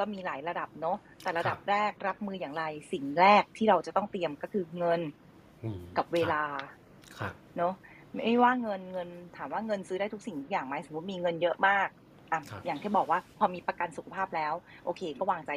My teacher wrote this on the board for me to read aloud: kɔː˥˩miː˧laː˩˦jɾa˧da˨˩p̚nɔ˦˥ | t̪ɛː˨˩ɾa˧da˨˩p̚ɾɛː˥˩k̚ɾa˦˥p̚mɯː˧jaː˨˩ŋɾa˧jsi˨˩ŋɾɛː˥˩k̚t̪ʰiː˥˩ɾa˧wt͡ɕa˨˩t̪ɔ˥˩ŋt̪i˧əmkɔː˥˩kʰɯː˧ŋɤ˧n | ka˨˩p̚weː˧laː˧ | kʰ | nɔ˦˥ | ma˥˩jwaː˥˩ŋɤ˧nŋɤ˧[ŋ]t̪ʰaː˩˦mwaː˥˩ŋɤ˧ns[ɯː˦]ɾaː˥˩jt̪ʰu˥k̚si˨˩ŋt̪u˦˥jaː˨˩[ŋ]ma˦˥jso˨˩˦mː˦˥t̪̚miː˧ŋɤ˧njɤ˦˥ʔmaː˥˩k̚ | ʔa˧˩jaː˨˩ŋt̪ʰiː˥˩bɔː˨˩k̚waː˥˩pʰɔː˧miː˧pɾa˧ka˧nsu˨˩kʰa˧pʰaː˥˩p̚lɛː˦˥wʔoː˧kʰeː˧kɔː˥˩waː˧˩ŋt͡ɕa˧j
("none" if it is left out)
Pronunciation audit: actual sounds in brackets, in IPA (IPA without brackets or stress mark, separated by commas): n, ɯː˦, ŋ